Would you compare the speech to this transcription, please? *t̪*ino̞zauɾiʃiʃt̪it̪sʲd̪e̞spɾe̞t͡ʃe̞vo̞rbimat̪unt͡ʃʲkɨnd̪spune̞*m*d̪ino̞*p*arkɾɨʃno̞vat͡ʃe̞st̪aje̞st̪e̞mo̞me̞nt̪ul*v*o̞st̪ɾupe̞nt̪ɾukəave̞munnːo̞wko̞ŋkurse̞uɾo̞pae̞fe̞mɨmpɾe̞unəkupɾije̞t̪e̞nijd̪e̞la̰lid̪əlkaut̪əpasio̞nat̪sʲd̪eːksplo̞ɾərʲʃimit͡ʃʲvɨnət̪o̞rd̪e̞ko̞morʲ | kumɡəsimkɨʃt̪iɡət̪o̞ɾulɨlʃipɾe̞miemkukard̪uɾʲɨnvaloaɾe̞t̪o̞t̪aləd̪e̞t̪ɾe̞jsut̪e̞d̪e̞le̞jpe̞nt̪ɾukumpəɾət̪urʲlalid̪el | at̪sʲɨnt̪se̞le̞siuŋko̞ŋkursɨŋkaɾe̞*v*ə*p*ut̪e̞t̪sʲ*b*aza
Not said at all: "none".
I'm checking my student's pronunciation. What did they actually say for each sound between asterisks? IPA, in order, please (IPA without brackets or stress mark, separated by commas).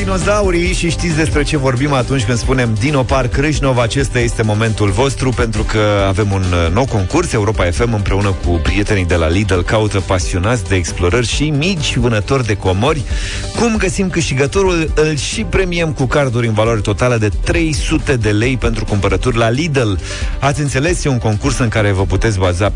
d̪, m, p, v, v, p, b